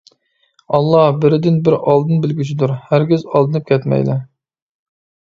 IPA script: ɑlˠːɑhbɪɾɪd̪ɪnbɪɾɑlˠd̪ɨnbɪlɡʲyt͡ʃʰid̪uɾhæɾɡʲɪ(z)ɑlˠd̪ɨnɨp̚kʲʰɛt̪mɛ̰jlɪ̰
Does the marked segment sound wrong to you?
no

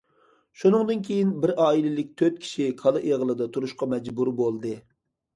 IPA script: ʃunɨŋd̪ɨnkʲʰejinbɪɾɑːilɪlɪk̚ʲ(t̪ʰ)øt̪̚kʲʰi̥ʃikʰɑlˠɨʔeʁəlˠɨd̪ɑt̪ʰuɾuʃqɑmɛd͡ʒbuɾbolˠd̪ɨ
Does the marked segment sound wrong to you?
no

